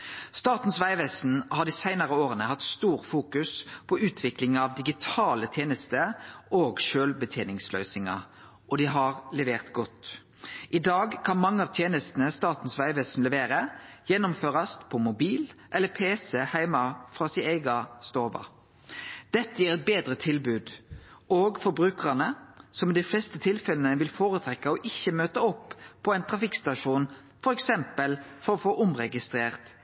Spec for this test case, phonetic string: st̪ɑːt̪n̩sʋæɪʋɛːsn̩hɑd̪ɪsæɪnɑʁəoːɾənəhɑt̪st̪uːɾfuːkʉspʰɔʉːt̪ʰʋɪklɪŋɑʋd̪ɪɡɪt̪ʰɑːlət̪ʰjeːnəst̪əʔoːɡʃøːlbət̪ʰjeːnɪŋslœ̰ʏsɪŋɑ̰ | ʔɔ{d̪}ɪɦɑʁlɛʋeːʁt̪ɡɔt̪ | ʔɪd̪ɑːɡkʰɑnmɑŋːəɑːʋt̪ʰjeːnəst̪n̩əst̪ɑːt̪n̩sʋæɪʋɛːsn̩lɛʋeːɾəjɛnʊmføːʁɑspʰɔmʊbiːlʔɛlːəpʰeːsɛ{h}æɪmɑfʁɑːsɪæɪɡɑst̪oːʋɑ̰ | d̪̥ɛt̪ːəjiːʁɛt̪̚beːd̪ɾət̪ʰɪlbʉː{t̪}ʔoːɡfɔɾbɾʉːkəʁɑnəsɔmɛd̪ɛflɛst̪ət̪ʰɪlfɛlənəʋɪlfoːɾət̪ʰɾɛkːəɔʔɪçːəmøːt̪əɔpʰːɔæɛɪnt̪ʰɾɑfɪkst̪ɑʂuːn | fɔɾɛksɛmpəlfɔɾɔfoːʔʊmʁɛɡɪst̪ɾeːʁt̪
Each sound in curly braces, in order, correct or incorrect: correct, correct, incorrect

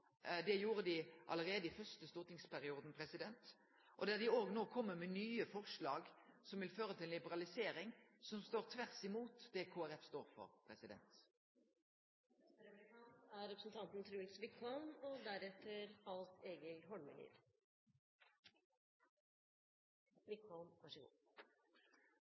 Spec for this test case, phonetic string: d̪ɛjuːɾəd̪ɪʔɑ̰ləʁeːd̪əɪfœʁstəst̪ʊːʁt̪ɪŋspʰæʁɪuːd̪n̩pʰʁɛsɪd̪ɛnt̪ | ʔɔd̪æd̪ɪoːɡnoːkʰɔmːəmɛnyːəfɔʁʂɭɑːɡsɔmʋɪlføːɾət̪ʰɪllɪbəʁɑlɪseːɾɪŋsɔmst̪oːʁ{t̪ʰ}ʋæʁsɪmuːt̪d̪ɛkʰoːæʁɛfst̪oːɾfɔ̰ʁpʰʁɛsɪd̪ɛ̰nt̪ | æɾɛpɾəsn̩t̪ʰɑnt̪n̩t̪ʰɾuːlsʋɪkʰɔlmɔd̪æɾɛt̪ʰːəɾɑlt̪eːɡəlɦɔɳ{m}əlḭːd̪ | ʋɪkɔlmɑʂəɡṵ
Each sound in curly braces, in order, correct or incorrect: correct, correct

